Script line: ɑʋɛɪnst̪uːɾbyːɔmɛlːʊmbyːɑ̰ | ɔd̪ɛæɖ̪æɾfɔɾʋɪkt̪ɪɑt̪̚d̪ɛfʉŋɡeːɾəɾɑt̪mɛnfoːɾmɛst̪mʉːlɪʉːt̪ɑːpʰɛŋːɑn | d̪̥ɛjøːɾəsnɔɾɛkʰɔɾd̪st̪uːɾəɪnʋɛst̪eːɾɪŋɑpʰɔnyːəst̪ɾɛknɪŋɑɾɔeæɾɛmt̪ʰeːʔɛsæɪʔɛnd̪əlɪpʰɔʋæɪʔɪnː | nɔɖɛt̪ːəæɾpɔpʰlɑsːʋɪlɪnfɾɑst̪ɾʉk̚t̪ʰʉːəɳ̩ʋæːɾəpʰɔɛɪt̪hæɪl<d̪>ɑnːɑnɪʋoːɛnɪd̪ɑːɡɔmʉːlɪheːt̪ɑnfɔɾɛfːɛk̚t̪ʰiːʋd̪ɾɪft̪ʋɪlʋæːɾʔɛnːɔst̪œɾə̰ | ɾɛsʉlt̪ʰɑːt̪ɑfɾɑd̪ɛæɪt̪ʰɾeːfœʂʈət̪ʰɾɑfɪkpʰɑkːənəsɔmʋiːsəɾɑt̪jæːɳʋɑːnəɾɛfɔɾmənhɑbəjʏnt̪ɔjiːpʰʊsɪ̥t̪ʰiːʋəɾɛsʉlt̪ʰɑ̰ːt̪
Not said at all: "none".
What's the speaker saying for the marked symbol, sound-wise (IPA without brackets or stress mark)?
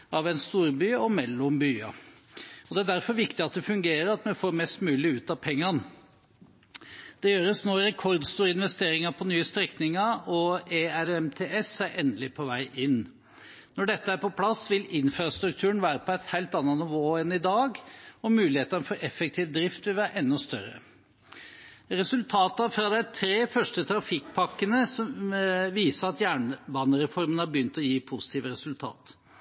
t̪